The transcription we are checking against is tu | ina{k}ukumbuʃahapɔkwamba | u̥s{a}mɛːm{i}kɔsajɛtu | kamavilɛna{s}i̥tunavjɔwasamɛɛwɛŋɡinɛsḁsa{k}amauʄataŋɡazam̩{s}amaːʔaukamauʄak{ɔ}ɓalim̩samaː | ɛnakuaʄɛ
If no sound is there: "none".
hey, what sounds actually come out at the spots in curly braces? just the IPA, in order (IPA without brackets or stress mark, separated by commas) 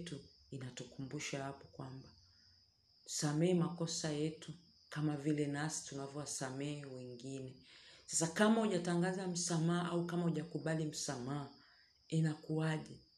t, a, a, s, k, s, u